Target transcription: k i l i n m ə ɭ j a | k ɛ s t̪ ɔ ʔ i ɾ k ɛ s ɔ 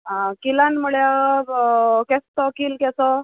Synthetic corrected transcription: k i l a n m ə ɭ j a | k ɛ s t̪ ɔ k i l k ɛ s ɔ